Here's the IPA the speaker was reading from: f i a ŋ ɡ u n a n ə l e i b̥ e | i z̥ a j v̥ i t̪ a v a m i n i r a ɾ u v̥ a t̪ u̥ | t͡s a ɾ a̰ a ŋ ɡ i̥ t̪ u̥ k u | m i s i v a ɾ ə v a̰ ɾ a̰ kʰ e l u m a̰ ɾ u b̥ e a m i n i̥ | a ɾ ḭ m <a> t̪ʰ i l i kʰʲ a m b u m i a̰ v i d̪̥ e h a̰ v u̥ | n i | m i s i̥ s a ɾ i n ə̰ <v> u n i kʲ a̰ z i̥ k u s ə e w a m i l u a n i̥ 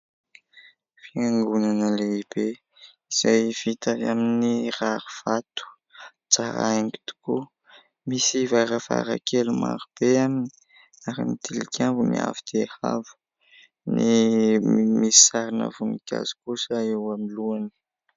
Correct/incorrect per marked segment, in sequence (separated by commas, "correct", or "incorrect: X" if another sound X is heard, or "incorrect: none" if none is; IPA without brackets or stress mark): incorrect: i, correct